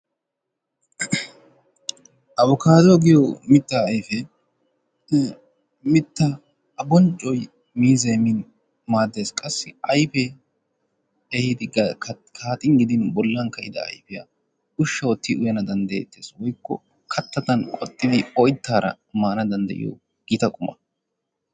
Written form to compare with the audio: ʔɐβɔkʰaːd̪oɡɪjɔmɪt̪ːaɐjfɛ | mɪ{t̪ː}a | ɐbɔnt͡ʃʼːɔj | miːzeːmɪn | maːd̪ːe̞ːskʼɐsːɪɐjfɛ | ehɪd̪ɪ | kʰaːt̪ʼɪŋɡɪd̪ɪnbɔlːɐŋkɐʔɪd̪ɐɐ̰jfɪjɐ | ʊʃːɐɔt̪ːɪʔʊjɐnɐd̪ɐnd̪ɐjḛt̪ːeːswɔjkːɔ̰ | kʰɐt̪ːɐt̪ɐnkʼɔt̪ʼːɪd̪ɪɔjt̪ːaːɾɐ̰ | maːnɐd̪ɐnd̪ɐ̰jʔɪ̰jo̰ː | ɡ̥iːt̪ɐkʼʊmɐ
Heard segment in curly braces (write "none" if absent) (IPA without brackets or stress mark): t̪ː